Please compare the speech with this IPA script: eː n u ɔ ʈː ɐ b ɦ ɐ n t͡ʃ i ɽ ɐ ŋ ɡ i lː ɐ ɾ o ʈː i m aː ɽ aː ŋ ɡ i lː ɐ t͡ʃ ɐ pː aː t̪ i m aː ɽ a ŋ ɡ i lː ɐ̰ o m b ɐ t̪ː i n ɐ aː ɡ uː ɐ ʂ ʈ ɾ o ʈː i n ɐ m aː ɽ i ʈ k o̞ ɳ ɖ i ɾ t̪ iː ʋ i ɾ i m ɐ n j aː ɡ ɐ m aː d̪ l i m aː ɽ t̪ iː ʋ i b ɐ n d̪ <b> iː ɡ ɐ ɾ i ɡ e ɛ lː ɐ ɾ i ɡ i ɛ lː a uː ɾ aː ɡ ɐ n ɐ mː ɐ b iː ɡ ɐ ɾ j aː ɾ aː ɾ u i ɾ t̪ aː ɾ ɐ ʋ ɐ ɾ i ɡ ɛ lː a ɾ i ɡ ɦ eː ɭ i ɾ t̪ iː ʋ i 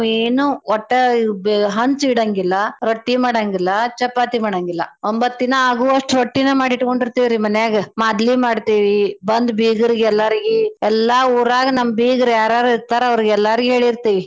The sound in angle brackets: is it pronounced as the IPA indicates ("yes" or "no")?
yes